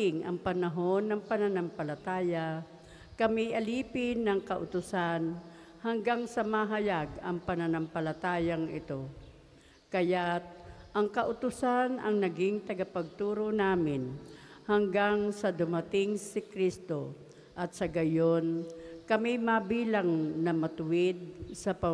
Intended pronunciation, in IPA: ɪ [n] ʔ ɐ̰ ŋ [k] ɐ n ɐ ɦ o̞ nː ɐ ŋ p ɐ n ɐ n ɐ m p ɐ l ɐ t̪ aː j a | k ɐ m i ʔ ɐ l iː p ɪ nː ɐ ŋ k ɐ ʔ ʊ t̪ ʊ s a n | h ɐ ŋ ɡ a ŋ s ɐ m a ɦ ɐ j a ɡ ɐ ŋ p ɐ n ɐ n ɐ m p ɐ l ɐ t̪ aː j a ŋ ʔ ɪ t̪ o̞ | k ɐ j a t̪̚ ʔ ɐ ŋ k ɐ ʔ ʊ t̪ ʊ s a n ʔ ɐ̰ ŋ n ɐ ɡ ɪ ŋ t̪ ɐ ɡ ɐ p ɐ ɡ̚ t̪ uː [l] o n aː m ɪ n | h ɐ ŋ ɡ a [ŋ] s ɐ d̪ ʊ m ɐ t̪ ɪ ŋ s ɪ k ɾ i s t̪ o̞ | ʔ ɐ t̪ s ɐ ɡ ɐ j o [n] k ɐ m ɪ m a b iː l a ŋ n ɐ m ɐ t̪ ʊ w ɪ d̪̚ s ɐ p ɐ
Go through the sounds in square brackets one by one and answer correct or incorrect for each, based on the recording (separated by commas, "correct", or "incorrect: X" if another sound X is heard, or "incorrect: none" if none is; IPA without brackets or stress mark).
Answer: incorrect: ŋ, incorrect: p, incorrect: ɾ, correct, correct